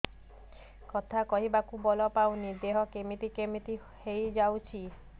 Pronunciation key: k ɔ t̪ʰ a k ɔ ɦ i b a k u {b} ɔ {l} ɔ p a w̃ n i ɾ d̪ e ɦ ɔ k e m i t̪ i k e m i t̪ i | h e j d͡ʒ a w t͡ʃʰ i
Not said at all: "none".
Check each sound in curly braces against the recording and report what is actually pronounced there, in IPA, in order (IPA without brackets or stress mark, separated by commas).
b, l